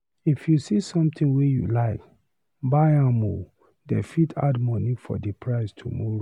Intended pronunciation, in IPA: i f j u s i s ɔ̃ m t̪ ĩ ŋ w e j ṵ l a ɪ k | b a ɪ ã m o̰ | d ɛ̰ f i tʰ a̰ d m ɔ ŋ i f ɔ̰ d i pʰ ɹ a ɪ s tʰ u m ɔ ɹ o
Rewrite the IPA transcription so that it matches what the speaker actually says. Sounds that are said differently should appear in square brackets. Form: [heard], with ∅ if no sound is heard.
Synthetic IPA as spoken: i f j u s i s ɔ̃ m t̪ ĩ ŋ w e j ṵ l a ɪ k | b a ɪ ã m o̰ | d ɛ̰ f i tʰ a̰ d m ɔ [n] i f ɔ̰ d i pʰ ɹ a ɪ s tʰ u m ɔ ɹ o